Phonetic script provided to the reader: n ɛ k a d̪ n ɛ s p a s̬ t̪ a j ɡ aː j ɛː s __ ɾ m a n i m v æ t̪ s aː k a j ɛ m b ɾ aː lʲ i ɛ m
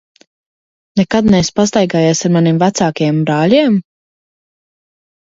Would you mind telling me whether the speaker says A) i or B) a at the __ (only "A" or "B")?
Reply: B